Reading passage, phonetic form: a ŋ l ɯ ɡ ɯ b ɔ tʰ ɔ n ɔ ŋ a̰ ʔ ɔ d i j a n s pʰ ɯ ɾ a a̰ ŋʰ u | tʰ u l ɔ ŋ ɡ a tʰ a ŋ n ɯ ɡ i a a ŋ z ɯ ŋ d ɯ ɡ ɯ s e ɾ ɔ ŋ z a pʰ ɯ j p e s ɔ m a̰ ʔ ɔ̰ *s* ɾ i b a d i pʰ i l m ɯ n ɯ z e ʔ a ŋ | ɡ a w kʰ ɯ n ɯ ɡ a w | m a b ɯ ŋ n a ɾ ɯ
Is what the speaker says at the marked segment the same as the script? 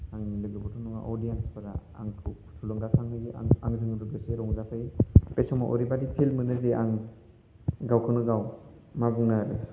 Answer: no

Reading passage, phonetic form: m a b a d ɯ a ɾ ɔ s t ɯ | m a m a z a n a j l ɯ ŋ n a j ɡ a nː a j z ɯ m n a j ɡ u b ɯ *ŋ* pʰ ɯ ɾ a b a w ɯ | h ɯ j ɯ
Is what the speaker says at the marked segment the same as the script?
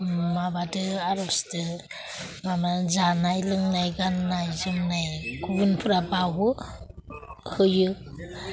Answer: no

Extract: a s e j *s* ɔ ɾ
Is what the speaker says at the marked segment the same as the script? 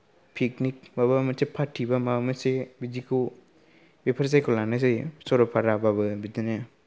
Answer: yes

